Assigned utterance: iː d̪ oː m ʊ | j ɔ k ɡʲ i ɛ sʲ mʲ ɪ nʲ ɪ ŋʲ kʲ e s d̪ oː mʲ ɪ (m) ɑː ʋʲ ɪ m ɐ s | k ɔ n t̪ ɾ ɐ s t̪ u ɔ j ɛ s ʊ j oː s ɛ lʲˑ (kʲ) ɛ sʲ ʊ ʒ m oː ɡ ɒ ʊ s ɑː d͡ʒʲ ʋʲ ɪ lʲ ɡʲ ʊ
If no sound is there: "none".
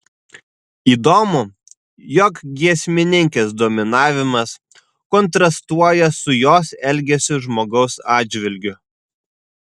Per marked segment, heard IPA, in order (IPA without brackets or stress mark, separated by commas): n, ɡʲ